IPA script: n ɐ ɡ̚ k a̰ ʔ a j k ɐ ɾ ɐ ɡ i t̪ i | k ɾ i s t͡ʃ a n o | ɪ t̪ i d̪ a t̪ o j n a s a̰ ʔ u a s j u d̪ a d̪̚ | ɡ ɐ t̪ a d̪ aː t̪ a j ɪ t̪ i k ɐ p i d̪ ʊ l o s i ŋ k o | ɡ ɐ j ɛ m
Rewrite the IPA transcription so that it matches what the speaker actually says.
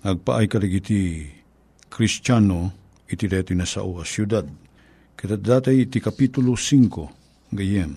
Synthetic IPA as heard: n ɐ ɡ̚ p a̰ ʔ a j k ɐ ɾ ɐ ɡ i t̪ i | k ɾ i s t͡ʃ a n o | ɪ t̪ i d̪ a t̪ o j n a s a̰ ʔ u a s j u d̪ a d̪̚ | k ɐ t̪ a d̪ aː t̪ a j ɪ t̪ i k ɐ p i t̪ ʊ l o s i ŋ k o | ɡ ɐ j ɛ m